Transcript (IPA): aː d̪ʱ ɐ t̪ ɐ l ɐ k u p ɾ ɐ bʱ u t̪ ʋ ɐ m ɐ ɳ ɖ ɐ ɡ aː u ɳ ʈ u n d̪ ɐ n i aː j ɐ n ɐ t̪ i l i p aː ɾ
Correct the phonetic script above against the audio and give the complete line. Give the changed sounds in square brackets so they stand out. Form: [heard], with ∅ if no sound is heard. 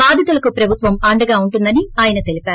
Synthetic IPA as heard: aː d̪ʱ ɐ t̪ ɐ l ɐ k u p ɾ ɐ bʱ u t̪ ʋ ɐ m ɐ ɳ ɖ ɐ ɡ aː u ɳ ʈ u n d̪ ɐ n i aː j ɐ n ɐ t̪ [e] l i p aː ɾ